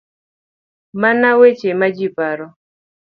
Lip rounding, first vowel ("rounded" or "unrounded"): unrounded